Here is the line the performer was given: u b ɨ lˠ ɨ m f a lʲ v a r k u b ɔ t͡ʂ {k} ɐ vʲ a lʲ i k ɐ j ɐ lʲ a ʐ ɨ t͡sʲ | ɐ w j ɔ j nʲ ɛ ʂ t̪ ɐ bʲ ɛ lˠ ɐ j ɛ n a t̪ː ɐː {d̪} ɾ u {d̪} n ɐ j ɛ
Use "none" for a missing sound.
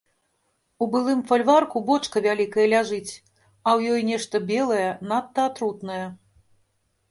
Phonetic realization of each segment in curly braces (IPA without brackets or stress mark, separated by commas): k, t̪, t̪